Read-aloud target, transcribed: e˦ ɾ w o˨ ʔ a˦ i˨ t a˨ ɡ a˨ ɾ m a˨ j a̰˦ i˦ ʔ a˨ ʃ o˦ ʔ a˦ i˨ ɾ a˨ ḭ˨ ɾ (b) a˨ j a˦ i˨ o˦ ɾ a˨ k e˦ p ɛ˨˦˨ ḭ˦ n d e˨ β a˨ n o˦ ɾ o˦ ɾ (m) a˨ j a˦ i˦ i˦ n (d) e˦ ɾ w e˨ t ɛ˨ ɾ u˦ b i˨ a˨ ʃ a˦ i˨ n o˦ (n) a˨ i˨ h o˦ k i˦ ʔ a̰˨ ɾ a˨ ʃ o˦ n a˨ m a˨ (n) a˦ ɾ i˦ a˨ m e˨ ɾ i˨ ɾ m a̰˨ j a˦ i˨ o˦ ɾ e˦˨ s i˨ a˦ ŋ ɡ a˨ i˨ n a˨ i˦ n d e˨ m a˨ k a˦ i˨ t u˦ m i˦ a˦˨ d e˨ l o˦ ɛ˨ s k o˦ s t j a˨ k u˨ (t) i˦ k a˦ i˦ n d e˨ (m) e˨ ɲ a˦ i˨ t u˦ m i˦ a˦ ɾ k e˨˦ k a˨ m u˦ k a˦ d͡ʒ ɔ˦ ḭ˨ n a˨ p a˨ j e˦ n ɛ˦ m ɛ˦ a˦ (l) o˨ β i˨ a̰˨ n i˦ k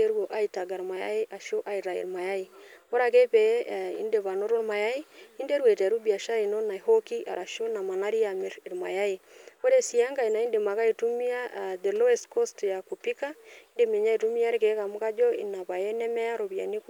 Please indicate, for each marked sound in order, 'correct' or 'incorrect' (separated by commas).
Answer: incorrect, correct, correct, correct, correct, incorrect, correct, incorrect